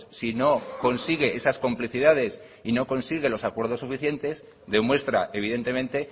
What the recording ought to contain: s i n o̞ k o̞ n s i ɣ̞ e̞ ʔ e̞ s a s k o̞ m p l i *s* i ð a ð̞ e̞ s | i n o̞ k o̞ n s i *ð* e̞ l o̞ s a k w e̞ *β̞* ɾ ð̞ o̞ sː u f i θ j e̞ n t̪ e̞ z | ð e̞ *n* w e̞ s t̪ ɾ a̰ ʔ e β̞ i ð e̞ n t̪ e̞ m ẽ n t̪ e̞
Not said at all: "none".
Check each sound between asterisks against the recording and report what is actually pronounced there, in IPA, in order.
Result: θ, ɣ, none, m

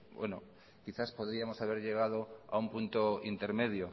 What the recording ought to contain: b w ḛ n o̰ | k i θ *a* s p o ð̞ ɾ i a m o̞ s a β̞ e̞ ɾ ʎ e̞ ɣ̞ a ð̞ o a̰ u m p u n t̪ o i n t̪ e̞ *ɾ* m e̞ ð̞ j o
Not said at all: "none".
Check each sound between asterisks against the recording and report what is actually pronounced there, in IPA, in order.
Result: a, ɾ

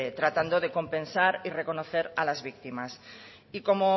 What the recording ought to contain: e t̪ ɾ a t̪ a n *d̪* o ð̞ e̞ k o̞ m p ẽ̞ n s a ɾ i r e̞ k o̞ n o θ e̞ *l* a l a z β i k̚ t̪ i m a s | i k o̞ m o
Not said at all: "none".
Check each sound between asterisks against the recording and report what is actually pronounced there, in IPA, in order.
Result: d̪, ɾ

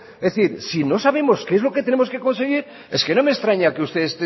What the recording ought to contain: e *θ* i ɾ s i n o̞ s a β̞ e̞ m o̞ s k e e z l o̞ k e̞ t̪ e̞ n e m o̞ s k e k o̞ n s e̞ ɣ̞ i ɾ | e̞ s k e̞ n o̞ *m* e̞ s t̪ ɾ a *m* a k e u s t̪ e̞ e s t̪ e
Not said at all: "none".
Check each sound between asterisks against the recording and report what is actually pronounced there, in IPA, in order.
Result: θ, m, ɲ

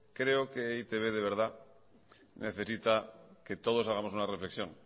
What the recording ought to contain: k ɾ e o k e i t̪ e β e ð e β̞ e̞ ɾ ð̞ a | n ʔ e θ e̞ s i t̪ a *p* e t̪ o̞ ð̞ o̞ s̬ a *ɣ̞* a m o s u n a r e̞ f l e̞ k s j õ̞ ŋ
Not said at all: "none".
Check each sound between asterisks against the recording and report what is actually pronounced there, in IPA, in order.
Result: k, ɣ̞

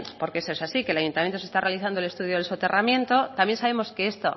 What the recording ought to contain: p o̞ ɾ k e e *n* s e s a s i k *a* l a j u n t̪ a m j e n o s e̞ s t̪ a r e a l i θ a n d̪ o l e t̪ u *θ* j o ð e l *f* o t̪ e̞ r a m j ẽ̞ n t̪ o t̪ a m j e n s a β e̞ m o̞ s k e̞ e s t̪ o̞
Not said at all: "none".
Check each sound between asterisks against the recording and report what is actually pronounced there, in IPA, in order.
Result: none, e, ð, s

